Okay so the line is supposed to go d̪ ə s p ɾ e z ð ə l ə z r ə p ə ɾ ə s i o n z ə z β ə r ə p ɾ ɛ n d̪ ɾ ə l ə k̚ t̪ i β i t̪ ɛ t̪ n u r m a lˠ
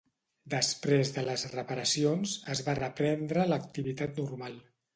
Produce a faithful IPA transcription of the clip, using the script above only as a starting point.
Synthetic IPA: d̪ ə s p ɾ e z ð ə l ə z r ə p ə ɾ ə s i o n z ə z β a r ə p ɾ ɛ n d̪ ɾ ə l ə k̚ t̪ i β i t̪ a t̪ n u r m a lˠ